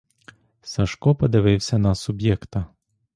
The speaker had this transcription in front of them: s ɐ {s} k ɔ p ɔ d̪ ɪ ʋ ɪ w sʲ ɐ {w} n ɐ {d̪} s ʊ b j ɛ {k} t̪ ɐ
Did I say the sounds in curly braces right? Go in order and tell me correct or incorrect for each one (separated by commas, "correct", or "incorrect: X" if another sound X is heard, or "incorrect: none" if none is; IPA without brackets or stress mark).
incorrect: ʃ, incorrect: none, incorrect: none, correct